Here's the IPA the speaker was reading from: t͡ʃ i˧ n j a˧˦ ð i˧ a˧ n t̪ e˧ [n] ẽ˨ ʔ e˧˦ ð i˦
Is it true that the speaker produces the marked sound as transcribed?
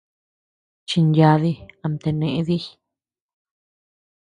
yes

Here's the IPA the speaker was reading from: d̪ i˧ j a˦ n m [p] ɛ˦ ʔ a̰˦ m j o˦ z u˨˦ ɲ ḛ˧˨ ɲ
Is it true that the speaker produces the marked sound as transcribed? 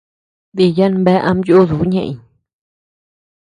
no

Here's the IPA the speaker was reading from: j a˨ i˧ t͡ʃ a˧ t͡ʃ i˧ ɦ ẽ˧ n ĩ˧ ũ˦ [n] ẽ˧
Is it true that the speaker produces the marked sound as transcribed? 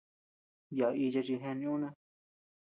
yes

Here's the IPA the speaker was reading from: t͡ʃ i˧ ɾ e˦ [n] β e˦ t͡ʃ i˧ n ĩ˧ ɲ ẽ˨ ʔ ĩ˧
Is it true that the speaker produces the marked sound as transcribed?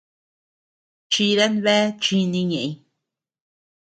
yes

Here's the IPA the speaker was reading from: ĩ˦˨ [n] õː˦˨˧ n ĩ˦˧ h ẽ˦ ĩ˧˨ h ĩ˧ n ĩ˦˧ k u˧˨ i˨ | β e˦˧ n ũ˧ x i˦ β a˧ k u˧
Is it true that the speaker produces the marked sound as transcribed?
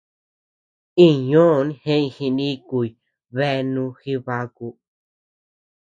no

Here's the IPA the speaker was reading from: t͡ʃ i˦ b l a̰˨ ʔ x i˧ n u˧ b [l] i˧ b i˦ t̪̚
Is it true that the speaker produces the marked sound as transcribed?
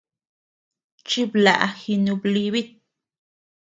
yes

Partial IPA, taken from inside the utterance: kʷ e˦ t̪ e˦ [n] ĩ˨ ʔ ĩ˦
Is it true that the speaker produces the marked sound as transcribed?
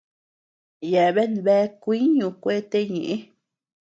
no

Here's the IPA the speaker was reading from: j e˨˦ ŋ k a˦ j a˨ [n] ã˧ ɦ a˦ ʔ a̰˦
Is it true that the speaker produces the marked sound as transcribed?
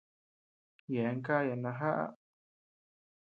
yes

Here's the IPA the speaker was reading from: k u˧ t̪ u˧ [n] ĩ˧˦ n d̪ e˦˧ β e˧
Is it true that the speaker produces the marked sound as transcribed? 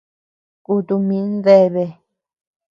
no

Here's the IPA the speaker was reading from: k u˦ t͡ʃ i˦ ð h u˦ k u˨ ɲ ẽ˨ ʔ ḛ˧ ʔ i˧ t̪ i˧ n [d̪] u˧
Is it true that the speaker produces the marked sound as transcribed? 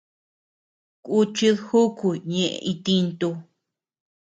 no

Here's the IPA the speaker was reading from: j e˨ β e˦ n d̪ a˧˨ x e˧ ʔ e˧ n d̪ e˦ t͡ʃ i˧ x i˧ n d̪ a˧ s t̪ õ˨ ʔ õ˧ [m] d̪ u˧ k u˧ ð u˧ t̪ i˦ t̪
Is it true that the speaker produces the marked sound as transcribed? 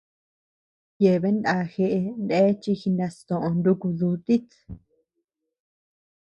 no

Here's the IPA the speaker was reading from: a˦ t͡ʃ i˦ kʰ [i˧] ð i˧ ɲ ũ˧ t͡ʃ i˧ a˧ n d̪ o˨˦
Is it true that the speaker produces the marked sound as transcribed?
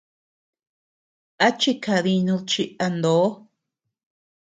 no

